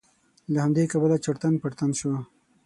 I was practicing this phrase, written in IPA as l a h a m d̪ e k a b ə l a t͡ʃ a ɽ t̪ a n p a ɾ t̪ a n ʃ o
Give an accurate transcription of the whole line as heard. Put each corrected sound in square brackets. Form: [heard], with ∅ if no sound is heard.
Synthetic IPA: l a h a m d̪ e k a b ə l a t͡ʃ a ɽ t̪ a n p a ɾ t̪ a n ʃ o